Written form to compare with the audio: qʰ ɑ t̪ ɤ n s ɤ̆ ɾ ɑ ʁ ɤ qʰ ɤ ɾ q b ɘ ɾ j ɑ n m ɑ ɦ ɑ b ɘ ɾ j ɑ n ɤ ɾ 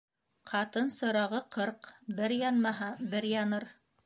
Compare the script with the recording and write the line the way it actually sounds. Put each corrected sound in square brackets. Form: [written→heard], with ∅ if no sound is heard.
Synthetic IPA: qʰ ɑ t̪ ɤ n s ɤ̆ ɾ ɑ ʁ ɤ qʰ ɤ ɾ q b ɘ ɾ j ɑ n m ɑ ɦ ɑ b ɘ ɾ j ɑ n ɤ ɾ

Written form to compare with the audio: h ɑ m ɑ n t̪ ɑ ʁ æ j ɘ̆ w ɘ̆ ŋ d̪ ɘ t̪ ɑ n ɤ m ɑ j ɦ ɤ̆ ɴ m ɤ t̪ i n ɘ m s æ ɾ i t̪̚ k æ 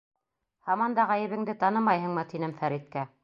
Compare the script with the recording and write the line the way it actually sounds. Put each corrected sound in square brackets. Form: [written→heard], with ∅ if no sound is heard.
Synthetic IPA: h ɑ m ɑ n [t̪→d̪] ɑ ʁ æ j ɘ̆ [w→β] ɘ̆ ŋ d̪ ɘ t̪ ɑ n ɤ m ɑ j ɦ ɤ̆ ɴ m ɤ t̪ i n ɘ m [s→f] æ ɾ i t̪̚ k æ

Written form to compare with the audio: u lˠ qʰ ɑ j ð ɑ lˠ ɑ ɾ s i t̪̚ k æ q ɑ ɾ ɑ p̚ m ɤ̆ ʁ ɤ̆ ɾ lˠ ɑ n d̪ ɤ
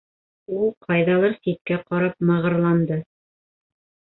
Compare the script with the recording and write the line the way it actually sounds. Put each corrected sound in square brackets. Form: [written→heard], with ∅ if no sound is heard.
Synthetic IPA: u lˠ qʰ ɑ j ð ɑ lˠ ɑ ɾ s i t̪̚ k æ q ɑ ɾ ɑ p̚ m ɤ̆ ʁ ɤ̆ ɾ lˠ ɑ n d̪ ɤ

